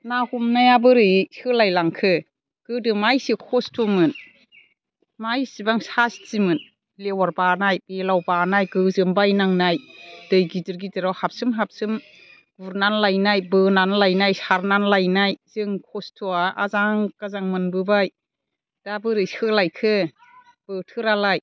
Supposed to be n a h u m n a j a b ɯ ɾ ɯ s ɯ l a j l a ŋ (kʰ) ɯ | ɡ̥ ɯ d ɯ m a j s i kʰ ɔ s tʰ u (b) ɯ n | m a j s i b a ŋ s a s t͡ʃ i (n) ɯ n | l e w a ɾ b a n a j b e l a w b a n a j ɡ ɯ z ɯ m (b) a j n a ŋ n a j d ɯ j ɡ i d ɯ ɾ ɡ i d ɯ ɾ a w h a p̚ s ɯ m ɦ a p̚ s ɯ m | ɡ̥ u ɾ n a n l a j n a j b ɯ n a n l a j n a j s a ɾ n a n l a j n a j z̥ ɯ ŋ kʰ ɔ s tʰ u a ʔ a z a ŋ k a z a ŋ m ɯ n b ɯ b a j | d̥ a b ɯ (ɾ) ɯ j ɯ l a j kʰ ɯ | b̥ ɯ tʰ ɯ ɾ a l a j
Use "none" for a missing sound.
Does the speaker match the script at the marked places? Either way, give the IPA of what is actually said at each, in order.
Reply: kʰ, m, m, b, ɾ

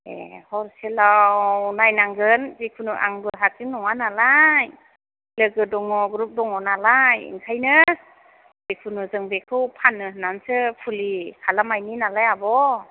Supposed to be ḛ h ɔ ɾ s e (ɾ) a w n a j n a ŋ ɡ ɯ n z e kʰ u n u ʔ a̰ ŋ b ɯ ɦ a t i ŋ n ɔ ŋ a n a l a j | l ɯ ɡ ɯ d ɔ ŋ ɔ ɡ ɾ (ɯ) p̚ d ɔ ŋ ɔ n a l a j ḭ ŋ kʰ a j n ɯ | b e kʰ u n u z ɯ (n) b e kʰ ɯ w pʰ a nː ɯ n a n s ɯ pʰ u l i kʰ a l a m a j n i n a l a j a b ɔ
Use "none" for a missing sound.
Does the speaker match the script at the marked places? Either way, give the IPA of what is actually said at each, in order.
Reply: l, u, ŋ

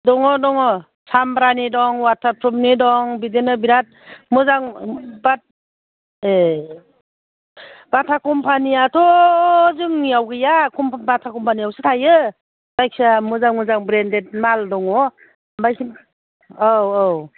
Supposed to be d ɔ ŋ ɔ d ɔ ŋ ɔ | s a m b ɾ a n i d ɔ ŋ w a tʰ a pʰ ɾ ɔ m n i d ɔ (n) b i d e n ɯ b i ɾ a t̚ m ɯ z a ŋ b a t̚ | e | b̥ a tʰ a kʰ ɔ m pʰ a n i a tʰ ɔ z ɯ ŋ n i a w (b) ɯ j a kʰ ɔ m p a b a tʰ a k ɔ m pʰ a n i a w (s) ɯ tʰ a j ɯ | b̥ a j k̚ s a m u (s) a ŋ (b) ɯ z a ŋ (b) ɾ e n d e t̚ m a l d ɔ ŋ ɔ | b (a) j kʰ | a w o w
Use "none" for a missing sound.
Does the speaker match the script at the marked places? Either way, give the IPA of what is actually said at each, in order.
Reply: ŋ, ɡ, s, z, m, b, a

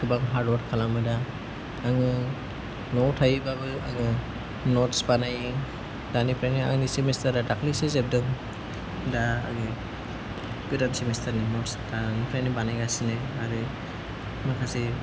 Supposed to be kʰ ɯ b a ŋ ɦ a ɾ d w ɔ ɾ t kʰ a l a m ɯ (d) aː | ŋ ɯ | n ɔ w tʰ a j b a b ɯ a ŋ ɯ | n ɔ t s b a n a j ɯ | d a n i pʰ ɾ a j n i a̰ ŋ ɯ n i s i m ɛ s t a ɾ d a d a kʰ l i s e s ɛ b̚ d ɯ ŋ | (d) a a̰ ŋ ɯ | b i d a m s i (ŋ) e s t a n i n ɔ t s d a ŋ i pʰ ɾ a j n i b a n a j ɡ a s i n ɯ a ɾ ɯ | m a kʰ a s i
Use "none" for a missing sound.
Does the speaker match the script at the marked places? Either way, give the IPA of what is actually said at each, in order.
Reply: d, d, m

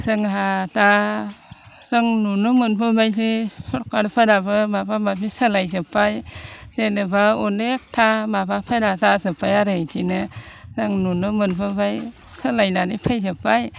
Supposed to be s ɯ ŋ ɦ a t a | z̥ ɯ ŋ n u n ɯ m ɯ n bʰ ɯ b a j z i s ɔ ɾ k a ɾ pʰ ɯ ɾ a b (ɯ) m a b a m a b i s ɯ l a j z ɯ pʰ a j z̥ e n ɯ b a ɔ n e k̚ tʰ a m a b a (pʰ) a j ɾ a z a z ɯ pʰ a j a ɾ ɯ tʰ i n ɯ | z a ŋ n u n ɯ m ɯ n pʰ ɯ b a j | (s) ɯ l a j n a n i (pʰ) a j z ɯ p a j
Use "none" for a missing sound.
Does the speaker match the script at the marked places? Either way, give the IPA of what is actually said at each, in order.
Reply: ɯ, pʰ, s, pʰ

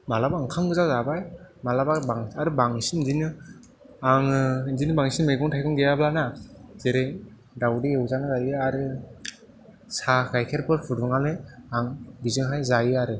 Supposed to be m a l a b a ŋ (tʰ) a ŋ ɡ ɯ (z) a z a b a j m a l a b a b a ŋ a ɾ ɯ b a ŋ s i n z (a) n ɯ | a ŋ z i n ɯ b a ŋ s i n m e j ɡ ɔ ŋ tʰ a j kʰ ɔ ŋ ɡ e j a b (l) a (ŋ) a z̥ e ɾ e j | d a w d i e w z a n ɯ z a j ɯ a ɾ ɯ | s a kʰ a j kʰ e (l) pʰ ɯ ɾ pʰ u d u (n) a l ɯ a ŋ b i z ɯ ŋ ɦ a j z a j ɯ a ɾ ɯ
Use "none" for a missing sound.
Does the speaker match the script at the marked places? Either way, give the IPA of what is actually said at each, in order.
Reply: kʰ, z, i, l, n, ɾ, ŋ

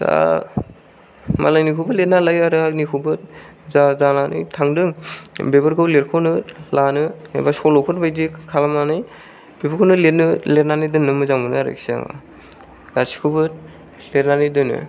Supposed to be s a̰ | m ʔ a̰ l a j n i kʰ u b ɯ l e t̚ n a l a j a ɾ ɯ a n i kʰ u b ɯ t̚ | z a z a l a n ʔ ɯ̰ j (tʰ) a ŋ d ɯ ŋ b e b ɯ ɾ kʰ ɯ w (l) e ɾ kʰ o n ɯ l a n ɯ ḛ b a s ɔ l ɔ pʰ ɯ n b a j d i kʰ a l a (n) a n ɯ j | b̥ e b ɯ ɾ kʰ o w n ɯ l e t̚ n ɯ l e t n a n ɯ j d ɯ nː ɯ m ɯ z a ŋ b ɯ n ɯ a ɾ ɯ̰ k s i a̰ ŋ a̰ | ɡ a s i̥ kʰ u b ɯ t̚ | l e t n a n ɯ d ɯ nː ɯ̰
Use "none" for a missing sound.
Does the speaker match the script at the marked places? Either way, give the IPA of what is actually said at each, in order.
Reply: tʰ, l, m

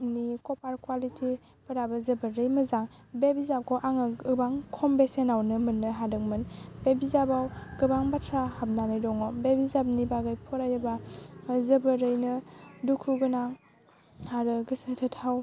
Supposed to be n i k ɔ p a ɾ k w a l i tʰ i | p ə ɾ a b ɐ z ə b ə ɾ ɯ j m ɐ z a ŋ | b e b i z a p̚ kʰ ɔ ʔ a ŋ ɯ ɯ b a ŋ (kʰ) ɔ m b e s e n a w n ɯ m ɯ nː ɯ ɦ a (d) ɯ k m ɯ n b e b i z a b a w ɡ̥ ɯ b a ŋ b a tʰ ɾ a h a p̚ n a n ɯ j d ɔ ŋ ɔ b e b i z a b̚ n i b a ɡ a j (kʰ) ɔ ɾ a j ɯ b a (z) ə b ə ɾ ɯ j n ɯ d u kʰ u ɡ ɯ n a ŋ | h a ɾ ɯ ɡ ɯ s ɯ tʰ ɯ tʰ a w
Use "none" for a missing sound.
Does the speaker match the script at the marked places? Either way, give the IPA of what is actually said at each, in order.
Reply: kʰ, d, pʰ, z

